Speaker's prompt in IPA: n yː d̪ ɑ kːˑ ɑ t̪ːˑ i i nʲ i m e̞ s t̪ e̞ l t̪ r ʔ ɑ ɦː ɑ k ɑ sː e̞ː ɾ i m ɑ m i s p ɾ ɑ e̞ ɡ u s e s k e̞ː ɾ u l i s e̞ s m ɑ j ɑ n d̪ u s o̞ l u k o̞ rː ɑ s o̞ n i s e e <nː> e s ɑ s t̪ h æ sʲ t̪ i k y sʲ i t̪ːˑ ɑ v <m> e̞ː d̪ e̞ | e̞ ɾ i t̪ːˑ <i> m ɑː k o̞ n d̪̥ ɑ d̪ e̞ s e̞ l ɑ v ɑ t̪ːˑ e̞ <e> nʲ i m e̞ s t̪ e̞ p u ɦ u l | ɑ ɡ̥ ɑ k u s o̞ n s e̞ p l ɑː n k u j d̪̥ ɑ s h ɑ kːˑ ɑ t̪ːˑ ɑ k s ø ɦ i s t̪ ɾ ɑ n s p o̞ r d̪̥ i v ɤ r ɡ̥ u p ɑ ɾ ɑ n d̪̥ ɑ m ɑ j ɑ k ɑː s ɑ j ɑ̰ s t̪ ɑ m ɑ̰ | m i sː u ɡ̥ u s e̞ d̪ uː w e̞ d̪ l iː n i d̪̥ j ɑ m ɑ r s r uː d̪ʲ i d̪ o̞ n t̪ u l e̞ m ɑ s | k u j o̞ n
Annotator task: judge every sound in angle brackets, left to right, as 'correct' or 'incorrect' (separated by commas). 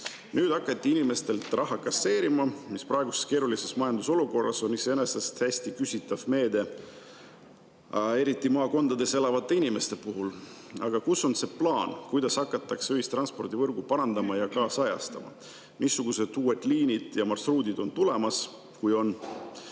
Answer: incorrect, correct, correct, incorrect